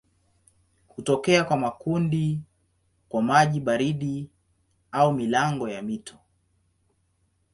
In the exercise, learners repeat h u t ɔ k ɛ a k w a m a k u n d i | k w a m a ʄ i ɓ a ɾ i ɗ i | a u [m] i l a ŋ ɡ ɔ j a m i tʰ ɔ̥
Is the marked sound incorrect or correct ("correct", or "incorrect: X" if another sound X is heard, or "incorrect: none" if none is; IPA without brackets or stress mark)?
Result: correct